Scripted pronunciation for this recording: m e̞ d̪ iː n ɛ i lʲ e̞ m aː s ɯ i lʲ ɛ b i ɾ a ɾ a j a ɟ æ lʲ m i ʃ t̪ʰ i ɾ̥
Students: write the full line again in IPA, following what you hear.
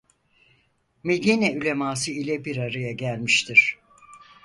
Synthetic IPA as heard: m e̞ d̪ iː n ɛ y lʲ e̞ m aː s ɯ i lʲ ɛ b i ɾ a ɾ a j a ɟ æ lʲ m i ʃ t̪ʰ i ɾ̥